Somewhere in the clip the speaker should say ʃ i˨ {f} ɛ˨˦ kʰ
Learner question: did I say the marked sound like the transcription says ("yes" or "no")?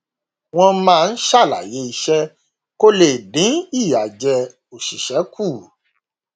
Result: no